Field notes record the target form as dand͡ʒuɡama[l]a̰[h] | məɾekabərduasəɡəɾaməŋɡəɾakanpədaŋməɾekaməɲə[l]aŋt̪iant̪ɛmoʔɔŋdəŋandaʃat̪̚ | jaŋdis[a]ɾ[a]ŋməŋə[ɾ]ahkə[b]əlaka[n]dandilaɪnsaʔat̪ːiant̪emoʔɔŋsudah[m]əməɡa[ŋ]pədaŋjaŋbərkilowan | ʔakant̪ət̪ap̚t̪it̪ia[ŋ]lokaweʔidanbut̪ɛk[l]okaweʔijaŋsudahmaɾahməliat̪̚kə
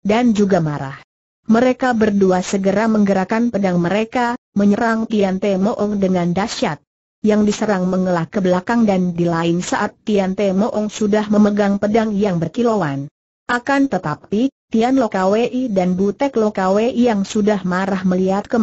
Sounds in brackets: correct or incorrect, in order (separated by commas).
incorrect, correct, incorrect, incorrect, correct, incorrect, correct, incorrect, correct, correct, incorrect, correct